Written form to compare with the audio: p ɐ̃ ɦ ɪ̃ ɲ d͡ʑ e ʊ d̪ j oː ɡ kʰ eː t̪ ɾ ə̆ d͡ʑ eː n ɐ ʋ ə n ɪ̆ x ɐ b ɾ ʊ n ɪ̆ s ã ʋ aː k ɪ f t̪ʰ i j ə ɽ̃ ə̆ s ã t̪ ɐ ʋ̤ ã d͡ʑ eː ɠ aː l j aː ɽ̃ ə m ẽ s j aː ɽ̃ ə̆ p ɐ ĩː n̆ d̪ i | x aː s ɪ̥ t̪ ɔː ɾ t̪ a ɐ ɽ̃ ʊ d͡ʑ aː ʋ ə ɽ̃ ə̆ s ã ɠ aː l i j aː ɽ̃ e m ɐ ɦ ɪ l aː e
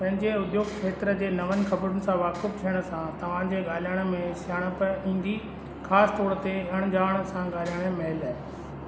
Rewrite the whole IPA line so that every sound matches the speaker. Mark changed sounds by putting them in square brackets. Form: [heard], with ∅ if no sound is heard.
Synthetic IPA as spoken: p ɐ̃ ɦ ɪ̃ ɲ d͡ʑ e ʊ d̪ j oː ɡ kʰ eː t̪ ɾ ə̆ d͡ʑ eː n ɐ ʋ ə n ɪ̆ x ɐ b ɾ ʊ n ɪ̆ s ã ʋ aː k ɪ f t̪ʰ i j ə ɽ̃ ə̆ s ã t̪ ɐ ʋ̤ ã d͡ʑ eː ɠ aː l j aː ɽ̃ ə m ẽ s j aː ɽ̃ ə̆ p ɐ ĩː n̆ d̪ i | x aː s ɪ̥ t̪ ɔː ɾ t̪ [e] ɐ ɽ̃ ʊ d͡ʑ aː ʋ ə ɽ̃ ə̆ s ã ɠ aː l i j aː ɽ̃ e m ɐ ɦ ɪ l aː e